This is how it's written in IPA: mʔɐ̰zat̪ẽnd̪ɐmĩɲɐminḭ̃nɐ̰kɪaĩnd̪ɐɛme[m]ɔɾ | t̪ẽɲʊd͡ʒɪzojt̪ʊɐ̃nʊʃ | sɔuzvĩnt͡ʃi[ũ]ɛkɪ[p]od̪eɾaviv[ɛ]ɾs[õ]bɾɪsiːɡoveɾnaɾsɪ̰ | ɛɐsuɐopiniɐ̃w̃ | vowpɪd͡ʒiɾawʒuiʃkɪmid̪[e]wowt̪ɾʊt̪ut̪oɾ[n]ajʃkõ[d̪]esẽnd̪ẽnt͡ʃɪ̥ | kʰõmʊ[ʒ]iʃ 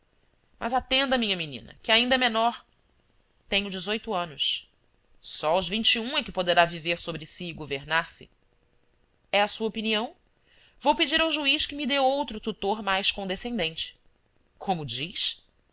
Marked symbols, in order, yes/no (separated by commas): no, yes, yes, no, no, yes, no, yes, no